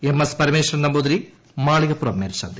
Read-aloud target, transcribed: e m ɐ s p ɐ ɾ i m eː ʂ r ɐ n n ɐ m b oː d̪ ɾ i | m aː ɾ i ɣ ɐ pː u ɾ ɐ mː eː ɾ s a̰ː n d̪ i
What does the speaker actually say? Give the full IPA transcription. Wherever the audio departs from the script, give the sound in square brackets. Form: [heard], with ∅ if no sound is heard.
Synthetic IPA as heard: e m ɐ s p ɐ ɾ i m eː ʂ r ɐ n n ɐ m b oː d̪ ɾ i | m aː [ɭ] i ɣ ɐ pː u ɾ ɐ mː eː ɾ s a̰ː n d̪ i

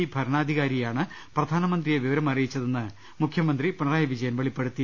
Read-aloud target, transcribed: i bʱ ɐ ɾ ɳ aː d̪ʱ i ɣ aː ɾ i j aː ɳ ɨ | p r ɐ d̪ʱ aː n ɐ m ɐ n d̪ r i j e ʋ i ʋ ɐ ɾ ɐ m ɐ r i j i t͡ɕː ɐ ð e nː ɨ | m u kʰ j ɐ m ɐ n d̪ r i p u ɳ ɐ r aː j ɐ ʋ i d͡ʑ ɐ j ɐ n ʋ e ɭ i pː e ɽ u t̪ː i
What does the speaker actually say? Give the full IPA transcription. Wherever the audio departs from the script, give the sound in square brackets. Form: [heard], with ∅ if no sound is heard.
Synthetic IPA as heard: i bʱ ɐ ɾ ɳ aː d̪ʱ i ɣ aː ɾ i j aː ɳ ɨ | p r ɐ d̪ʱ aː n ɐ m ɐ n d̪ r i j e ʋ i ʋ ɐ ɾ ɐ m ɐ r i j i t͡ɕː ɐ ð e nː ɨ | m u kʰ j ɐ m ɐ n d̪ r i p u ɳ ɐ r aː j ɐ ʋ i d͡ʑ ɐ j ɐ n ʋ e ɭ i pː e ɽ u t̪ː i

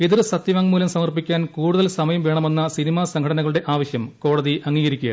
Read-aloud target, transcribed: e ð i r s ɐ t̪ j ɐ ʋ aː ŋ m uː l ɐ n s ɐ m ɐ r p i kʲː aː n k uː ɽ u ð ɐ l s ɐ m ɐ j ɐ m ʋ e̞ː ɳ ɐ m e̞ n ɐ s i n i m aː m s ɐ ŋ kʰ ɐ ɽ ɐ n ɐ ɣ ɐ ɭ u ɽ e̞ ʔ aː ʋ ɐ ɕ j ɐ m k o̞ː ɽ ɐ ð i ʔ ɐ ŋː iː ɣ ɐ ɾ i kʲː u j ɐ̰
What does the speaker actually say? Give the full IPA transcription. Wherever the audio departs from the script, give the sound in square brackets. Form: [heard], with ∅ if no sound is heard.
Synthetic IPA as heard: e ð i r s ɐ t̪ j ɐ ʋ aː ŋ m uː l ɐ [m] s ɐ m ɐ r p i kʲː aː n k uː ɽ u ð ɐ l s ɐ m ɐ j ɐ m ʋ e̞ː ɳ ɐ m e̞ [nː] ɐ s i n i m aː [∅] s ɐ ŋ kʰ ɐ ɽ ɐ n ɐ ɣ ɐ ɭ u ɽ e̞ ʔ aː ʋ ɐ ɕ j ɐ m k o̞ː ɽ ɐ ð i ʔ ɐ ŋː iː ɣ ɐ ɾ i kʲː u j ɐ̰

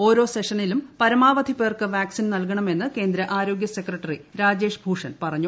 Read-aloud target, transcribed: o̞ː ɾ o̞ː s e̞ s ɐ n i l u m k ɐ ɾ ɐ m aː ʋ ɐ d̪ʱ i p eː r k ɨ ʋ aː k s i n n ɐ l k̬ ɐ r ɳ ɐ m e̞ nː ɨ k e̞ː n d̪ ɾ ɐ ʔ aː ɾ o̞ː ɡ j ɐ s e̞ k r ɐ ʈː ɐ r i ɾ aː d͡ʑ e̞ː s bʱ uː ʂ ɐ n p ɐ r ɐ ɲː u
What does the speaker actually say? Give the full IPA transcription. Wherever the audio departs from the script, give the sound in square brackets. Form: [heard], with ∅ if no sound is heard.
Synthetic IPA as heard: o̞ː ɾ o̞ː s e̞ [ʂ] ɐ n i l u m [p] ɐ ɾ ɐ m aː ʋ ɐ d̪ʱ i p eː r k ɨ ʋ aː k s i n n ɐ l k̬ ɐ [∅] ɳ ɐ m e̞ nː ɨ k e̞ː n d̪ ɾ ɐ ʔ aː ɾ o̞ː ɡ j ɐ s e̞ k r ɐ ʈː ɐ r i ɾ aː d͡ʑ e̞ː [ʂ] bʱ uː ʂ ɐ n p ɐ r ɐ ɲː u

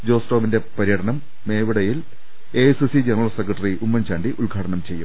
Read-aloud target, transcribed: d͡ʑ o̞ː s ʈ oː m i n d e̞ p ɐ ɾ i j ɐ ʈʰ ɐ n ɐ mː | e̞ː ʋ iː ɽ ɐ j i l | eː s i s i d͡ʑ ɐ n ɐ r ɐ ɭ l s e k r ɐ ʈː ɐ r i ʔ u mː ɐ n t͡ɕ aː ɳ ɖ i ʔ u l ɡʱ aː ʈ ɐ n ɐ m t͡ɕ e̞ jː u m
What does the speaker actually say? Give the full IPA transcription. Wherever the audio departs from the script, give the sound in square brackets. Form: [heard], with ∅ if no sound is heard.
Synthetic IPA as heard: d͡ʑ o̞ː s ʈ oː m i n d e̞ p ɐ ɾ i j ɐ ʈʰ ɐ n ɐ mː | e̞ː ʋ [i] ɽ ɐ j i l | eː s i s i d͡ʑ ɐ n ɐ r ɐ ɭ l s e k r ɐ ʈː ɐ r i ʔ u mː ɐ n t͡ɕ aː ɳ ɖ i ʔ u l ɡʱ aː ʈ ɐ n ɐ m t͡ɕ e̞ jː u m

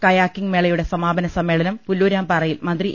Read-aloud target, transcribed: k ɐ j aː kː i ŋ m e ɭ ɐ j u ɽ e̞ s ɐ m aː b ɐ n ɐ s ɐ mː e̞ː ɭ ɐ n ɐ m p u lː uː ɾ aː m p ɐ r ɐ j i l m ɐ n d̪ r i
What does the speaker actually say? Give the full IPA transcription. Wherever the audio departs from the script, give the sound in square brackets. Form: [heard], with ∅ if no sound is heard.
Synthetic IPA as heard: k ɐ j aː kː i ŋ m e ɭ ɐ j u ɽ e̞ s ɐ m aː b ɐ n ɐ s ɐ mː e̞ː ɭ ɐ n ɐ m p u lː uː ɾ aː m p ɐ r ɐ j i l m ɐ n d̪ r i

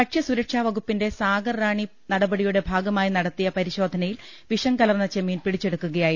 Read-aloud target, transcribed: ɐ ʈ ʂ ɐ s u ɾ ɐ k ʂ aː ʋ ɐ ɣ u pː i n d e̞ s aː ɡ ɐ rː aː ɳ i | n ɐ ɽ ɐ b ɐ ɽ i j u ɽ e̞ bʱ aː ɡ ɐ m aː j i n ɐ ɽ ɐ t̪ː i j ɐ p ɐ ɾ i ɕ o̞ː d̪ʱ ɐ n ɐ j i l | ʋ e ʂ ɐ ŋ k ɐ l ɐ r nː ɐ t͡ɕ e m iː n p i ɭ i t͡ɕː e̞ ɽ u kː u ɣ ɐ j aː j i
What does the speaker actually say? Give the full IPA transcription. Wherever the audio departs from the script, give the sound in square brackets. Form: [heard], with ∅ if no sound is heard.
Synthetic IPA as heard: ɐ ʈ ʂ ɐ s u ɾ ɐ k ʂ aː ʋ ɐ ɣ u pː i n d e̞ s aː ɡ ɐ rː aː ɳ i | n ɐ ɽ ɐ b ɐ ɽ i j u ɽ e̞ bʱ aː ɡ ɐ m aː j i n ɐ ɽ ɐ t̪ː i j ɐ p ɐ ɾ i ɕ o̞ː d̪ʱ ɐ n ɐ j i l | ʋ [i] ʂ ɐ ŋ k ɐ l ɐ r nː ɐ t͡ɕ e m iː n p i [ɽ] i t͡ɕː e̞ ɽ u kː u ɣ ɐ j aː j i

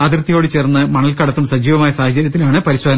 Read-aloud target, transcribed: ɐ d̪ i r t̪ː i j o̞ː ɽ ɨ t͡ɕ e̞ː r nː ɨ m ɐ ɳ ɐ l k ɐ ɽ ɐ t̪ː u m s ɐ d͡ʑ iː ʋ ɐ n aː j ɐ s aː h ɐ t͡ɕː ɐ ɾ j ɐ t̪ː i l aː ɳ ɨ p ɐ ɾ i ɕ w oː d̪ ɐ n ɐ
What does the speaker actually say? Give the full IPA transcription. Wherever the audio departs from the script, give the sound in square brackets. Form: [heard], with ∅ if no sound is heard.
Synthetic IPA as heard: ɐ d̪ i r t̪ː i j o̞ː ɽ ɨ t͡ɕ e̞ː r nː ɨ m ɐ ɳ ɐ l k ɐ ɽ ɐ t̪ː u m s ɐ d͡ʑ iː ʋ ɐ [m] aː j ɐ s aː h ɐ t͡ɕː ɐ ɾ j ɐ t̪ː i l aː ɳ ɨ p ɐ ɾ i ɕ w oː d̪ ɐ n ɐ

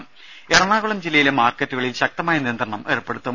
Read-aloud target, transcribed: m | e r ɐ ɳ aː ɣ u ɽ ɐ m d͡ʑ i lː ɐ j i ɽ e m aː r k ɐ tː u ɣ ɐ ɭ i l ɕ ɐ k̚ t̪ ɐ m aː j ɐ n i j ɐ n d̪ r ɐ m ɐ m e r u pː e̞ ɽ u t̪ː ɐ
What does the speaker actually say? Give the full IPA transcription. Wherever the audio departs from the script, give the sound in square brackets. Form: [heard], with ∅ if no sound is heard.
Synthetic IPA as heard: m | e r ɐ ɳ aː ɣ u [ɭ] ɐ m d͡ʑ i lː ɐ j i [l] e m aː r k ɐ tː u ɣ ɐ ɭ i l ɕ ɐ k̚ t̪ ɐ m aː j ɐ n i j ɐ n d̪ r ɐ [ɳ] ɐ m e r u pː e̞ ɽ u t̪ː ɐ

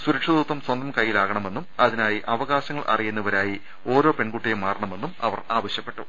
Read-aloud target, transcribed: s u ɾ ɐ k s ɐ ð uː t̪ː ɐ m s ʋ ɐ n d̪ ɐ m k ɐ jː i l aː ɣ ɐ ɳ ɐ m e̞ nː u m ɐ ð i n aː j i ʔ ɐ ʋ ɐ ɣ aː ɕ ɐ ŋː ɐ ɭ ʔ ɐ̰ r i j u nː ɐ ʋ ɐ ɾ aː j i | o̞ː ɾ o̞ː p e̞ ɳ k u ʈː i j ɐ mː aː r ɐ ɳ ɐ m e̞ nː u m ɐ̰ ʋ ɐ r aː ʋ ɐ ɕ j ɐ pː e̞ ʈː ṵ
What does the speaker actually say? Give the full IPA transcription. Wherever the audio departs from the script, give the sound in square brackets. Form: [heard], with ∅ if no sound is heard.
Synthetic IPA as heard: s u ɾ ɐ k [ʂ] ɐ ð uː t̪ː ɐ m s [w] ɐ n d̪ ɐ m k ɐ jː i l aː ɣ ɐ ɳ ɐ m e̞ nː u m ɐ ð i n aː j i ʔ ɐ ʋ ɐ ɣ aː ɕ ɐ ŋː ɐ ɭ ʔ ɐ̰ r i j u nː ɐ ʋ ɐ ɾ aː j i | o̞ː ɾ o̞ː p e̞ ɳ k u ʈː i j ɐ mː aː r ɐ ɳ ɐ m e̞ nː u m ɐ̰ ʋ ɐ r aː ʋ ɐ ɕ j ɐ pː e̞ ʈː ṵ

